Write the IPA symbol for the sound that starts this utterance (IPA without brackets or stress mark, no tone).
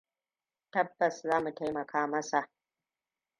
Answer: t